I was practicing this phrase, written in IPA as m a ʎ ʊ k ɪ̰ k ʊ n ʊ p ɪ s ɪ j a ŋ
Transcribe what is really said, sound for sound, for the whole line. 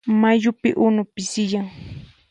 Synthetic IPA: m a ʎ ʊ p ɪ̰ ʔ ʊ n ʊ p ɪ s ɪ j a ŋ